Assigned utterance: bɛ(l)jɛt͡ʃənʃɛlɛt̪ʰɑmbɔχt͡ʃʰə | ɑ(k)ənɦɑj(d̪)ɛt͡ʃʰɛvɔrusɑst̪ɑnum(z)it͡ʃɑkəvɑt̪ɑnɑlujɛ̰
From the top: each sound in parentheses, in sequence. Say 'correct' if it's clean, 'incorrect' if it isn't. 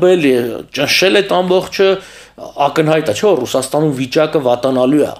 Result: correct, correct, incorrect: t̪, incorrect: v

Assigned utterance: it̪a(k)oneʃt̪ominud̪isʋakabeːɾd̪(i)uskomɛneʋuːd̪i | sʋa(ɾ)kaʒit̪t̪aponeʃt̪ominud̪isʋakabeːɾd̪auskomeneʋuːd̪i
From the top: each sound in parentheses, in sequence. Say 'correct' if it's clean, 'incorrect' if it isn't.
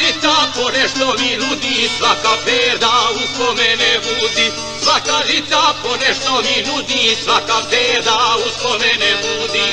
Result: incorrect: p, incorrect: a, incorrect: none

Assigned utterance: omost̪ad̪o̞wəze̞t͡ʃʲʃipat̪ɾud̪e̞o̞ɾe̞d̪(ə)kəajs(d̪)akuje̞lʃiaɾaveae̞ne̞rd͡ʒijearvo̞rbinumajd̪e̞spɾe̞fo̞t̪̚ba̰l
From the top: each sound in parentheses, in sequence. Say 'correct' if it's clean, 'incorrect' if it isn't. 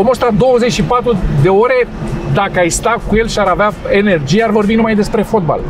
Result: incorrect: a, incorrect: t̪

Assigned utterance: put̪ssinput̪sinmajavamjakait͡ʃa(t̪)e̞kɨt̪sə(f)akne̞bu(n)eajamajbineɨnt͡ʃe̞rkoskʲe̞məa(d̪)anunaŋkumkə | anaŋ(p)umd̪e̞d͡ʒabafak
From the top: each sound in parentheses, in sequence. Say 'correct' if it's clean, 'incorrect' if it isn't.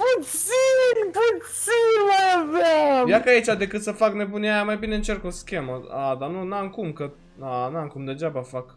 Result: incorrect: d̪, correct, correct, correct, incorrect: k

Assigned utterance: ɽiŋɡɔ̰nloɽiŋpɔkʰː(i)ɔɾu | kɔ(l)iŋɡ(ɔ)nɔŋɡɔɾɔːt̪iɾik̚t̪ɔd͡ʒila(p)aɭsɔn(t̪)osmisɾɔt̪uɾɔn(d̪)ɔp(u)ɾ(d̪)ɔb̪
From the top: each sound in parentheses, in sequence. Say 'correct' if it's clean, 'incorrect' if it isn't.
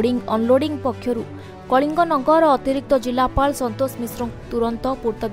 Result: incorrect: j, incorrect: ɭ, correct, correct, correct, incorrect: t̪, correct, incorrect: t̪

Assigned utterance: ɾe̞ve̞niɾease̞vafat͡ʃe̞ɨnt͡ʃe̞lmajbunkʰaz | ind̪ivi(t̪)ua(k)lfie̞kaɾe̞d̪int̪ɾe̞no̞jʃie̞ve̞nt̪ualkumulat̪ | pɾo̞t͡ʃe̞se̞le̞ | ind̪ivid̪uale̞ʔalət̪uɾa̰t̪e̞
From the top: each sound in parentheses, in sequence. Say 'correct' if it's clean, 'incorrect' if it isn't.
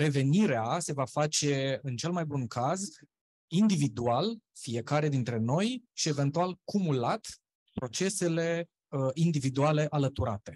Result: incorrect: d̪, incorrect: none

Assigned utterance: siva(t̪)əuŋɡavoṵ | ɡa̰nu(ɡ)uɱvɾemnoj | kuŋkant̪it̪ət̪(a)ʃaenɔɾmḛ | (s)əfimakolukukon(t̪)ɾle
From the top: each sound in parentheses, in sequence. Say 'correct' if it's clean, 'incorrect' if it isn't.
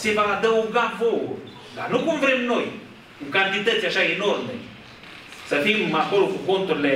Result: incorrect: d̪, incorrect: k, correct, correct, correct

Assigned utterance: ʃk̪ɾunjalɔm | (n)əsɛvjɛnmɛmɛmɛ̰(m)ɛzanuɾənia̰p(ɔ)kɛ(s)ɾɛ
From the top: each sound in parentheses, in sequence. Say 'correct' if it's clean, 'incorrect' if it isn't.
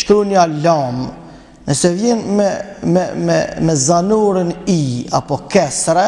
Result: correct, correct, correct, correct

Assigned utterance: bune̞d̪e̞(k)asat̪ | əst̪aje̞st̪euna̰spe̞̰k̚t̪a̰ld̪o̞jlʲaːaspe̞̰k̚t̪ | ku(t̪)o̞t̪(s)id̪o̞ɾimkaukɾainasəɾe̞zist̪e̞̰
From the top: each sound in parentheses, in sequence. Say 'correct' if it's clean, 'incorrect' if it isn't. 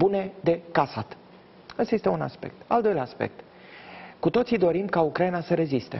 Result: correct, correct, correct

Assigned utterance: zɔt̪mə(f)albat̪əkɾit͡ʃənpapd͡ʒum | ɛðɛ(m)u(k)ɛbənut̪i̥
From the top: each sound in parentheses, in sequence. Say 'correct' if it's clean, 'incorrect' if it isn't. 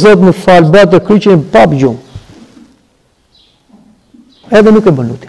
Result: correct, incorrect: n, correct

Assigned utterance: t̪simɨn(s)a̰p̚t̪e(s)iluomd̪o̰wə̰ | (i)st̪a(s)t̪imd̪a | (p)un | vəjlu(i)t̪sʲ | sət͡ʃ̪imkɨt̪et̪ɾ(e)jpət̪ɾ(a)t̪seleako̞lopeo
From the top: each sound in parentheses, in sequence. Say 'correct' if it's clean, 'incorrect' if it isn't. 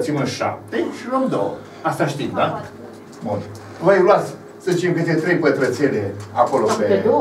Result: incorrect: ʃ, incorrect: ʃ, incorrect: a, incorrect: ʃ, incorrect: b, incorrect: a, correct, incorrect: ə

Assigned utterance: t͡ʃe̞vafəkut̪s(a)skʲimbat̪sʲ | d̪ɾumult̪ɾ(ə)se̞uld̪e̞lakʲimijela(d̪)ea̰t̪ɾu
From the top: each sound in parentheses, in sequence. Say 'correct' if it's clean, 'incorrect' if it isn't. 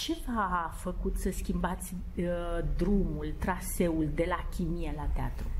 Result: incorrect: ə, incorrect: a, incorrect: t̪

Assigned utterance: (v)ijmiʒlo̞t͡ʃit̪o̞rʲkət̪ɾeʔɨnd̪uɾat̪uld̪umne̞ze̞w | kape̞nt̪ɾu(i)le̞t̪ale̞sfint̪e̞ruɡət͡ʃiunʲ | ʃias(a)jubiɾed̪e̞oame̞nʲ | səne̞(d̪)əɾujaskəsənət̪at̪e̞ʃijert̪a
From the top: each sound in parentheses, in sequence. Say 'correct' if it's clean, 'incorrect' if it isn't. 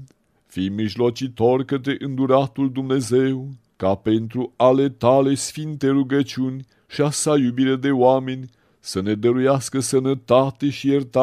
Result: incorrect: f, incorrect: a, correct, correct

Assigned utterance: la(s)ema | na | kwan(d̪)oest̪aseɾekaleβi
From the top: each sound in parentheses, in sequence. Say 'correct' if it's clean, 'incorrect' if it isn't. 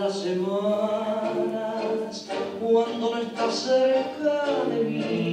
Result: correct, correct

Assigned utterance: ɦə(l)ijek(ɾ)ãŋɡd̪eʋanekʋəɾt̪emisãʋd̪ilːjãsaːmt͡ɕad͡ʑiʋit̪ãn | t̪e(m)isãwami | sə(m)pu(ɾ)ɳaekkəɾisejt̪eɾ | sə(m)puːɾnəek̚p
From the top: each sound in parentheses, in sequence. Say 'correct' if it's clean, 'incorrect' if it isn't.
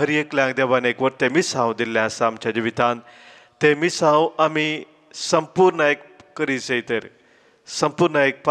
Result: incorrect: ɾ, incorrect: l, correct, correct, correct, correct

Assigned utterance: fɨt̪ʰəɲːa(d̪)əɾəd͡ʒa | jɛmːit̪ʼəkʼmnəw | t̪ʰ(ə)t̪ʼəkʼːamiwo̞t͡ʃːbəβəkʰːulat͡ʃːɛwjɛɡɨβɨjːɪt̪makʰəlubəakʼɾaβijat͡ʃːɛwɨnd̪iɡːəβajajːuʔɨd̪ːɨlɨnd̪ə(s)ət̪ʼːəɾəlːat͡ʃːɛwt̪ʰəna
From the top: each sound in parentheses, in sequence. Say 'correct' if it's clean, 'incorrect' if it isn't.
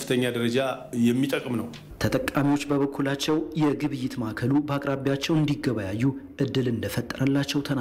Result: correct, correct, incorrect: f

